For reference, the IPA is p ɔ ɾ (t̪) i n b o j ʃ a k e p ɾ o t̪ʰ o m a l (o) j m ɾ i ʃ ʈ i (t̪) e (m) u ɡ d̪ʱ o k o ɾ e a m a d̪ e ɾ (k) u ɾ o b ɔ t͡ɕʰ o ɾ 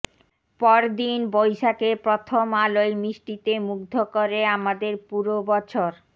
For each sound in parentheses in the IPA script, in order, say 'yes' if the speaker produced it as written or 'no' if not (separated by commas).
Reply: no, yes, yes, yes, no